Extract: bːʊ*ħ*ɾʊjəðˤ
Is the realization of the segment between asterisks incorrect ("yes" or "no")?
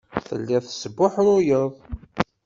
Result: no